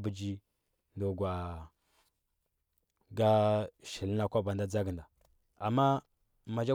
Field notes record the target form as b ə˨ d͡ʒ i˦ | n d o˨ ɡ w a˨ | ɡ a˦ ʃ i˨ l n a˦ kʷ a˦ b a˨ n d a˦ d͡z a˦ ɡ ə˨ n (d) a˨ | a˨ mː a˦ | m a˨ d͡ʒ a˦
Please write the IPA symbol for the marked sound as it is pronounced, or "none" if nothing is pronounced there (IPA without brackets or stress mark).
d